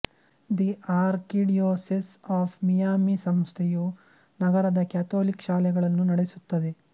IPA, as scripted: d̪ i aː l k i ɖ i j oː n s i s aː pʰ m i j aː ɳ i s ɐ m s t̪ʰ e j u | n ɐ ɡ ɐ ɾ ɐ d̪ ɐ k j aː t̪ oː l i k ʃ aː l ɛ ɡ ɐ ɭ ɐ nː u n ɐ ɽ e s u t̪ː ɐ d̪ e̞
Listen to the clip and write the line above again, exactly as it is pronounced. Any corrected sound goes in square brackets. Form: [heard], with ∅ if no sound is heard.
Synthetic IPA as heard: d̪ i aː [ɾ] k i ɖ i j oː [∅] s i s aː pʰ m i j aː [m] i s ɐ m s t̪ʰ e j u | n ɐ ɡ ɐ ɾ ɐ d̪ ɐ k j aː t̪ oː l i k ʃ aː l ɛ ɡ ɐ ɭ ɐ nː u n ɐ ɽ e s u t̪ː ɐ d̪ e̞